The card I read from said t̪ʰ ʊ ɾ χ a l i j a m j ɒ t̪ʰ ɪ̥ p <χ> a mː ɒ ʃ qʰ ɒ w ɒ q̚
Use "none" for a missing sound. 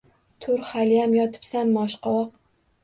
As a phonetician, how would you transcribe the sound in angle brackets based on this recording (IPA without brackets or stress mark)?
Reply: s